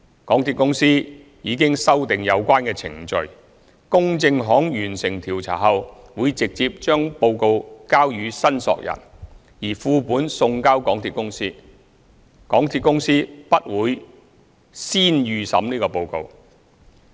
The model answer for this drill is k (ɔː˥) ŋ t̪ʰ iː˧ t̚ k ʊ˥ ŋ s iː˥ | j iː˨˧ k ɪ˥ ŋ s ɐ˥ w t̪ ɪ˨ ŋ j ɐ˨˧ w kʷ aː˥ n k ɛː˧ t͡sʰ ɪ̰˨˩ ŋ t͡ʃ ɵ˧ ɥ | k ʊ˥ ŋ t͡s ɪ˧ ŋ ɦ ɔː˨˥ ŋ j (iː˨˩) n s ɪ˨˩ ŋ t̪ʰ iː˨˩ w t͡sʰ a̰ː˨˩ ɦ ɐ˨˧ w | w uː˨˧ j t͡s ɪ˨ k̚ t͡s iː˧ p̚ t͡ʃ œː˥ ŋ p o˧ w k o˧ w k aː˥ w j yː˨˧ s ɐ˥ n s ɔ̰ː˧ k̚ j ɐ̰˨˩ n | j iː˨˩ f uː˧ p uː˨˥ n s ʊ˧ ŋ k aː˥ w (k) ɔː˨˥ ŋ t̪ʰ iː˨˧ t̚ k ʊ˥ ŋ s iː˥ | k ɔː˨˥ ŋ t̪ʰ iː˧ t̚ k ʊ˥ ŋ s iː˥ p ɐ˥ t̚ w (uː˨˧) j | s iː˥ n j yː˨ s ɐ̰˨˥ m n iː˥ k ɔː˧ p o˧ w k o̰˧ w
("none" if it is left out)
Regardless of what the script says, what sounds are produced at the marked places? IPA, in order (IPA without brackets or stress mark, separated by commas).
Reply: ɔː˨˥, yː˨˩, k, uː˨˧